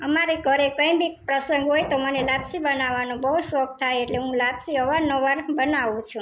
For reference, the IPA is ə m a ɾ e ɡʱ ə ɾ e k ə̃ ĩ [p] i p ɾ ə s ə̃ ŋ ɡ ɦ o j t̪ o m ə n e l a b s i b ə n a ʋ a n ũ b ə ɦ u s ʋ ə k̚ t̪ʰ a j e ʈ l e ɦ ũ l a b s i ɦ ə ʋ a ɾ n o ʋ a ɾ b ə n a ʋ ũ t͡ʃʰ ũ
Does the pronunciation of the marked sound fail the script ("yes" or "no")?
yes